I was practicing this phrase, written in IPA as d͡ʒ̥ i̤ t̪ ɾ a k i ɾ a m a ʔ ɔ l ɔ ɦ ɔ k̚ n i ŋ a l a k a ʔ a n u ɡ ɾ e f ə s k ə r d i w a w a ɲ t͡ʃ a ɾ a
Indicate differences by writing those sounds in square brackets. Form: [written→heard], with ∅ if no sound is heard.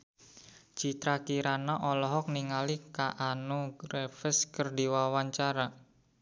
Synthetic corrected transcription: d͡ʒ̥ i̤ t̪ ɾ a k i ɾ a [m→n] a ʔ ɔ l ɔ ɦ ɔ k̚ n i ŋ a l [a→i] k a ʔ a n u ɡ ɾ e f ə s k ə r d i w a w a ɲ t͡ʃ a ɾ a

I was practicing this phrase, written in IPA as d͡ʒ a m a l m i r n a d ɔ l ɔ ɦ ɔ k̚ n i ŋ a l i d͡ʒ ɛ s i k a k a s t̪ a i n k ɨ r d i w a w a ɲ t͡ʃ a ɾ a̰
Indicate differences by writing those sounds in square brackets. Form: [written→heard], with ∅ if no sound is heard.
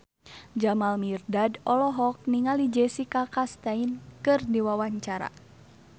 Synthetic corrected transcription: d͡ʒ a m a l m i r [n→d] a d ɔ l ɔ ɦ ɔ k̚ n i ŋ a l i d͡ʒ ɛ s i k a k a s t̪ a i n k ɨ r d i w a w a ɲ t͡ʃ a ɾ a̰

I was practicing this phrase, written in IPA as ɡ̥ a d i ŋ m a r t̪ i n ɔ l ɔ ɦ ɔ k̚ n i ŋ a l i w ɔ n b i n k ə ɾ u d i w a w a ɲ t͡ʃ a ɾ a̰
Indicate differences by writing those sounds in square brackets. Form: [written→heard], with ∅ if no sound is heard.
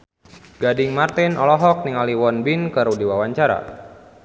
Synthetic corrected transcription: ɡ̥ a d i ŋ m a r t̪ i n ɔ l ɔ ɦ ɔ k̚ n i ŋ a l i w ɔ n b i n k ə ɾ u d i w a w a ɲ t͡ʃ a ɾ a̰

